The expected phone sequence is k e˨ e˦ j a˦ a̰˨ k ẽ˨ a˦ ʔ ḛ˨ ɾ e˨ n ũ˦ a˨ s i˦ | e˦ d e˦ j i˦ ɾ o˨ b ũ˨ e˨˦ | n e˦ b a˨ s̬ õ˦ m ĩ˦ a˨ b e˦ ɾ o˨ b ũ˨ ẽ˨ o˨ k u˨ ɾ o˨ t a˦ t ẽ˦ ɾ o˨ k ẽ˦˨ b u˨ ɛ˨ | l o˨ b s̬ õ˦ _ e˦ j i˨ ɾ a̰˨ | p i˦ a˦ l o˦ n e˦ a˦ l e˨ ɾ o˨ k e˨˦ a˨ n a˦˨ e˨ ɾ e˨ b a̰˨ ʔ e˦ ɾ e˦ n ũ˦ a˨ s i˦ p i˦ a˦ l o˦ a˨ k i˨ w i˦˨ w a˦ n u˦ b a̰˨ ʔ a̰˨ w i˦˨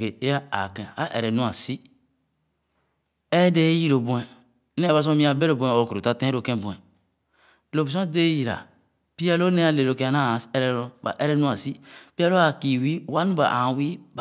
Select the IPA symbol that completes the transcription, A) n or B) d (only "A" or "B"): B